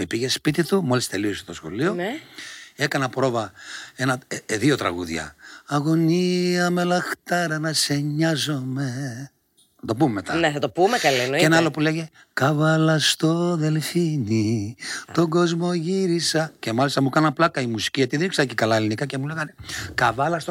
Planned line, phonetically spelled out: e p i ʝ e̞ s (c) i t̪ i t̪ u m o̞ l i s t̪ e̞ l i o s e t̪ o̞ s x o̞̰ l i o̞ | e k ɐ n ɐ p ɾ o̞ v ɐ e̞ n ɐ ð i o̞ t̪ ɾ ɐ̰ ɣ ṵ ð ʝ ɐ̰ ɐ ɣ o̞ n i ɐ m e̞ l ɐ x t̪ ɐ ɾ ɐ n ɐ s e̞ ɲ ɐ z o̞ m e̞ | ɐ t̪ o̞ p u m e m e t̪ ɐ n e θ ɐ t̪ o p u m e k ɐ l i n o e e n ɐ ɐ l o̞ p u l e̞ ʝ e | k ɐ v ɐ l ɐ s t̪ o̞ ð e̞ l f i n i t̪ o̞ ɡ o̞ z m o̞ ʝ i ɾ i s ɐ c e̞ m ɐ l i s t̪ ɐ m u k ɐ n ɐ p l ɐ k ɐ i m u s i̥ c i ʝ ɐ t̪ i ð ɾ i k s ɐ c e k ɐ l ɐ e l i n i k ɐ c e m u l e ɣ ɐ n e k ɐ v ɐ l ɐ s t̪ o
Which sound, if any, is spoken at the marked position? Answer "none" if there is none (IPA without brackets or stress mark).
p